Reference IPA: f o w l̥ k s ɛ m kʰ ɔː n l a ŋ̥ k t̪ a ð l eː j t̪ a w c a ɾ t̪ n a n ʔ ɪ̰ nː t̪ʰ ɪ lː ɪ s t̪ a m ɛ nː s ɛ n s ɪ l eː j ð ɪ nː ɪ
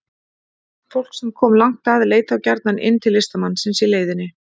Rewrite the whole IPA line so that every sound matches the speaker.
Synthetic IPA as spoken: f o w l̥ k s ɛ m kʰ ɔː m l a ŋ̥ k t̪ a ð l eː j t̪ a w c a ɾ t̪ n a n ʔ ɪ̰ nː t̪ʰ ɪ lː ɪ s t̪ a m a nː s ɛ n s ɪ l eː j ð ɪ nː ɪ